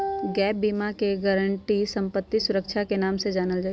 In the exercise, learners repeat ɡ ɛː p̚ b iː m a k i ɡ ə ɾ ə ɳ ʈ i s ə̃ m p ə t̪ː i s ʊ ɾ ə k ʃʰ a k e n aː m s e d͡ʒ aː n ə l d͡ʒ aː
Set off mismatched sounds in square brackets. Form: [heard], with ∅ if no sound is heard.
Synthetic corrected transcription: ɡ ɛː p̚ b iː m a k [e] ɡ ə ɾ ə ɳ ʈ i s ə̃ m p ə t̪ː i s ʊ ɾ ə k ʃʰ a k e n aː m s e d͡ʒ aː n ə l d͡ʒ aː